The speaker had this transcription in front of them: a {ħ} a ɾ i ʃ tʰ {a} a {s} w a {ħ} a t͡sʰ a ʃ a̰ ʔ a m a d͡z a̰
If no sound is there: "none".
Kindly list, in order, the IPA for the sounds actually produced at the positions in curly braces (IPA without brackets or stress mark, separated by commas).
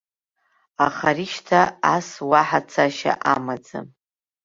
χ, a, s, ħ